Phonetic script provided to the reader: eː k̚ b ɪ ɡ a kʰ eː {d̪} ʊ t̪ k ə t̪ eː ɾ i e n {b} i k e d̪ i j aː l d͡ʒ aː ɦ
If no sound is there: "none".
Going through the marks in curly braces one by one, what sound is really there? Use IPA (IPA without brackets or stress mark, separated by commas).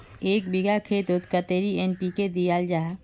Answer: t̪, p